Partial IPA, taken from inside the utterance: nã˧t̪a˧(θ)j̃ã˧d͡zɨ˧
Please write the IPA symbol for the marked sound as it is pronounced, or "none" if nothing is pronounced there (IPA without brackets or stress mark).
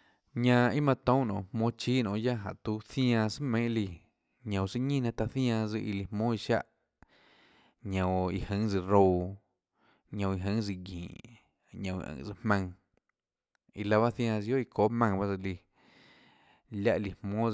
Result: θ